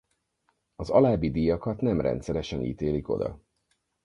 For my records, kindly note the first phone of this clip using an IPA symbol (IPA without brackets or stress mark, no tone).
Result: ɒ